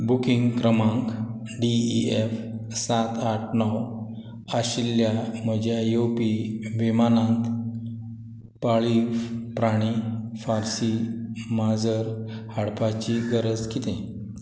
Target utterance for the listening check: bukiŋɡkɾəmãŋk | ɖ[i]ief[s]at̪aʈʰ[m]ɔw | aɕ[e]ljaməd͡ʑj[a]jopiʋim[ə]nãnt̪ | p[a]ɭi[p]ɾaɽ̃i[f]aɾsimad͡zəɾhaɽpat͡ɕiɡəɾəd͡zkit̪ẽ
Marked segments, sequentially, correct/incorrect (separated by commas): correct, correct, incorrect, incorrect, correct, incorrect, correct, correct, correct